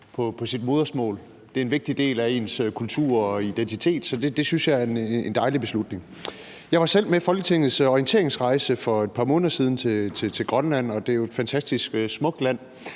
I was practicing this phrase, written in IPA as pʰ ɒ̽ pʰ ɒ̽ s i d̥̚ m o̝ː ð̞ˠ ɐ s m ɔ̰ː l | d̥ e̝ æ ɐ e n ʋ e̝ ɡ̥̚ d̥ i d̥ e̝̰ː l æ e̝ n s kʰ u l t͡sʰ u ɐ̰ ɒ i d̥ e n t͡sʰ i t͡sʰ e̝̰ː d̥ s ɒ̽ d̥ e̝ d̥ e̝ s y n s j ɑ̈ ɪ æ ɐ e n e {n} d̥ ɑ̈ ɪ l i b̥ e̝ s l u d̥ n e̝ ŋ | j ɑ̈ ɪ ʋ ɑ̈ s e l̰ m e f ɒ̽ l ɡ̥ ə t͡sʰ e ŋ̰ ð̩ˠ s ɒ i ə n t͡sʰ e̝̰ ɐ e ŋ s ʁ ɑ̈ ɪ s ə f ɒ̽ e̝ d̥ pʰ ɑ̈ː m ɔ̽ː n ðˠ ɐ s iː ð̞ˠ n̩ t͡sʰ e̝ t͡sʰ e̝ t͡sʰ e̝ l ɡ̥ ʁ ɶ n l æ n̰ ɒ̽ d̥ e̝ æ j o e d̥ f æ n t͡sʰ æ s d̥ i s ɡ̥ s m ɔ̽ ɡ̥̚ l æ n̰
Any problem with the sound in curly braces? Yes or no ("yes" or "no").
no